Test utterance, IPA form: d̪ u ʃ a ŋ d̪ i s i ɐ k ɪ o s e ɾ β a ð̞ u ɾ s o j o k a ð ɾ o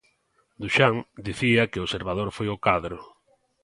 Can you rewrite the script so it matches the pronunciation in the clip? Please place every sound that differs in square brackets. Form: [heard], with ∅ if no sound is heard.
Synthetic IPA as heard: d̪ u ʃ a ŋ d̪ i [θ] i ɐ k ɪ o s e ɾ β a ð̞ [o] ɾ [f] o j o k a ð ɾ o